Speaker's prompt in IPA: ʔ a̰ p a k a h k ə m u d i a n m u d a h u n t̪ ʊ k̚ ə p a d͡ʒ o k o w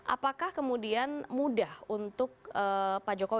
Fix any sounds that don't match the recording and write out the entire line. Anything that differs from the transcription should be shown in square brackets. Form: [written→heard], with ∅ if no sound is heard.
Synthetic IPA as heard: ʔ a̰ p a k a h k ə m u d i a n m u d a h u n t̪ ʊ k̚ ə p a d͡ʒ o k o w